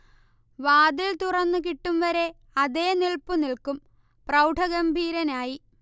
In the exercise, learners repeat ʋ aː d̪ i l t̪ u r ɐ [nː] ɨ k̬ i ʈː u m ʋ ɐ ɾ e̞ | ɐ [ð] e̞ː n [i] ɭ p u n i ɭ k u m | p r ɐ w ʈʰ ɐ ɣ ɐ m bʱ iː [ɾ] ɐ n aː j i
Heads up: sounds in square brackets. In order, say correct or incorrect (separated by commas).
correct, correct, correct, correct